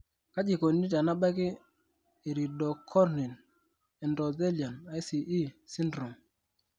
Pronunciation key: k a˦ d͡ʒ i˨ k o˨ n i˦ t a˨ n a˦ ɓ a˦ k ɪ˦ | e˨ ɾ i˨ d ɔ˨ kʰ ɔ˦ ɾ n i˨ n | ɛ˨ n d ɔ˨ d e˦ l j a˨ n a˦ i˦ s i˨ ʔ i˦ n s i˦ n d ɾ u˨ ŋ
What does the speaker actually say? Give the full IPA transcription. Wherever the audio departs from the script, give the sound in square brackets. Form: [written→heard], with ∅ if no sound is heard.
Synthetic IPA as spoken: k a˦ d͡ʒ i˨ k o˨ n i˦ t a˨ n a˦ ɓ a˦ k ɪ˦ | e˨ ɾ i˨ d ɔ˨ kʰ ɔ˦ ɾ n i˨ n | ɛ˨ n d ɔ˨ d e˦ l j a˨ n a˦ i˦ s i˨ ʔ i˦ [n→∅] s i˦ n d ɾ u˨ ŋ